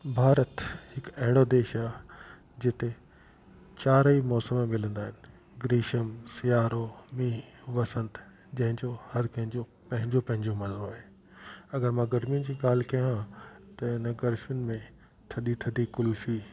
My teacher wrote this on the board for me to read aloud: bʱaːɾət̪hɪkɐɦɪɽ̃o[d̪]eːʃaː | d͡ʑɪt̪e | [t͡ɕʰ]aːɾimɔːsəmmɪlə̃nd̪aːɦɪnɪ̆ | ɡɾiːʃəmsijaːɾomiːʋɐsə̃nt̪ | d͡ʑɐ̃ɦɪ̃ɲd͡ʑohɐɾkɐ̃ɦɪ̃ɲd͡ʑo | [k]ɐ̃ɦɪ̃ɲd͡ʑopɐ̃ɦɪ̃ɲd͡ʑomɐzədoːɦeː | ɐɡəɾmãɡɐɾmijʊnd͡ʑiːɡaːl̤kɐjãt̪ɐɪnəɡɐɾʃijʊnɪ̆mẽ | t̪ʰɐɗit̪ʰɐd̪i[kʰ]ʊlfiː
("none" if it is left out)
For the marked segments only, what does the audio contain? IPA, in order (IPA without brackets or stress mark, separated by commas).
d̪, t͡ɕ, p, k